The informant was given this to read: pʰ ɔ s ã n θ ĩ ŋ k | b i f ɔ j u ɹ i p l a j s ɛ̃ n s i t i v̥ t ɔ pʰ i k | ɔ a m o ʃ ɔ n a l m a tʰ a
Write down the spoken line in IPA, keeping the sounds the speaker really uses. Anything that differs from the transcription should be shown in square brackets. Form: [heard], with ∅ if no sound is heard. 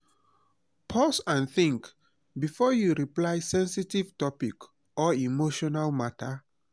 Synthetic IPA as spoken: pʰ ɔ s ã n θ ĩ ŋ k | b i f ɔ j u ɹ i p l a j s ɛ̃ n s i t i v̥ t ɔ [p] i k | ɔ [i] m o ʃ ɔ n a l m a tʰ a